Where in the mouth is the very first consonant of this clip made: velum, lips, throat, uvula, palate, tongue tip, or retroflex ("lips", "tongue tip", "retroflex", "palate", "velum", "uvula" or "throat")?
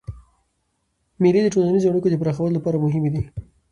lips